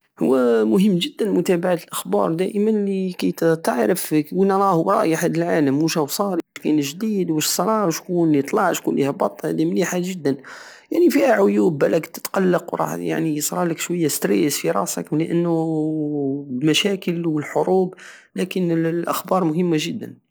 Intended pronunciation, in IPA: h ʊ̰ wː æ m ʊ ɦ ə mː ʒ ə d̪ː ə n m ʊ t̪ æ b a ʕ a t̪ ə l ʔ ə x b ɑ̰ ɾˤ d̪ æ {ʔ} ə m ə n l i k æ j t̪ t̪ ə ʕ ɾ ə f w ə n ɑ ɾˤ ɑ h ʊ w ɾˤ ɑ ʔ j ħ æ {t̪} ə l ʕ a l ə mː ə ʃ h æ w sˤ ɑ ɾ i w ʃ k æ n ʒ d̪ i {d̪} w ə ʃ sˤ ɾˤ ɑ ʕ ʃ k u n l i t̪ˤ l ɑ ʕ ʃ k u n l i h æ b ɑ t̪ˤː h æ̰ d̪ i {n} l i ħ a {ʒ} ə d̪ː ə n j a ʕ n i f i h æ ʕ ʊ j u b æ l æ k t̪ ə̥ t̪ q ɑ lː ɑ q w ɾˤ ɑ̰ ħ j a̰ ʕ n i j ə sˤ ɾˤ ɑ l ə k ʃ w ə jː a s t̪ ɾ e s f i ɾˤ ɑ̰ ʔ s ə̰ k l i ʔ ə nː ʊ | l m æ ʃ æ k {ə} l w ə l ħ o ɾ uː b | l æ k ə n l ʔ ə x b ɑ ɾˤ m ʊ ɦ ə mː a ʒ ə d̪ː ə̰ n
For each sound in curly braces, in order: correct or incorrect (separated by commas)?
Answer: correct, incorrect, correct, incorrect, correct, correct